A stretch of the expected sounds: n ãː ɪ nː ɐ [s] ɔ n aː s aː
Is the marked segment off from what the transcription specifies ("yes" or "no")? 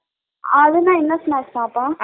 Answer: no